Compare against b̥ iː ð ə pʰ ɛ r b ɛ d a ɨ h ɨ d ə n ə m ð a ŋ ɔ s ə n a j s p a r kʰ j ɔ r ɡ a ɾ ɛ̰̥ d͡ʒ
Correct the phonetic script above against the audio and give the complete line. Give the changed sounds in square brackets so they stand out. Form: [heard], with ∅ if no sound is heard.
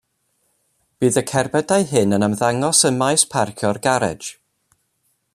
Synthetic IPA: b̥ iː ð ə [kʰ] ɛ r b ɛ d a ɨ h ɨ [n] ə n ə m ð a ŋ ɔ s ə [m] a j s [pʰ] a r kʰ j ɔ r ɡ a ɾ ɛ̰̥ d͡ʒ